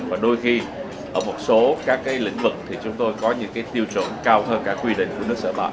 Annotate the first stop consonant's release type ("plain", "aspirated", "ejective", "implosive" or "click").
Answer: implosive